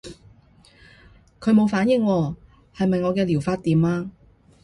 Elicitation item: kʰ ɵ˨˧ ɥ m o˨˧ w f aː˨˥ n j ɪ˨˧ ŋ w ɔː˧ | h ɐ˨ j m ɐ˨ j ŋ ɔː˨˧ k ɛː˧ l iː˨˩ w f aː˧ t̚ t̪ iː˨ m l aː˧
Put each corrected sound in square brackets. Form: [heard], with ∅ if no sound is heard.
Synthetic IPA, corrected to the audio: kʰ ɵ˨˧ ɥ m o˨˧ w f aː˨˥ n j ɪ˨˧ ŋ w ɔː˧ | h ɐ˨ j m ɐ˨ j ŋ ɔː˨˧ k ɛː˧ l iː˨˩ w f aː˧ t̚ t̪ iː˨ m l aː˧